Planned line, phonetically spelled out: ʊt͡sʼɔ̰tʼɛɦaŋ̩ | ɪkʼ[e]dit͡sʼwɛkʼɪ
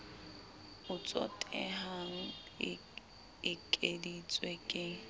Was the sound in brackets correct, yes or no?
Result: yes